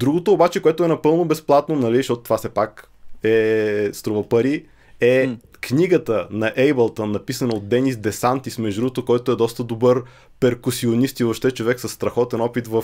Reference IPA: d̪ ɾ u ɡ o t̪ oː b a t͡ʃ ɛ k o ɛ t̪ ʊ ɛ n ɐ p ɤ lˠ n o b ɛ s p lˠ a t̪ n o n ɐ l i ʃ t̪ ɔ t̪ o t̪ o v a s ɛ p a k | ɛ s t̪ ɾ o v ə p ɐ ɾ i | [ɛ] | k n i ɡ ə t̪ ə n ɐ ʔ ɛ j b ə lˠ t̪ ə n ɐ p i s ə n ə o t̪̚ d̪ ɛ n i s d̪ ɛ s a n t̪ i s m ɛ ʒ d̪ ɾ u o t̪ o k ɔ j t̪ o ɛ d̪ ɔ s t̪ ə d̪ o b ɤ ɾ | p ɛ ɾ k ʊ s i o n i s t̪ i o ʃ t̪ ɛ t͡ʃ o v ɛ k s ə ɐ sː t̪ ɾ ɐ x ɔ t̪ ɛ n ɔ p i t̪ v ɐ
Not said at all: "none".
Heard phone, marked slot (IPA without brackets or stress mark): ɛ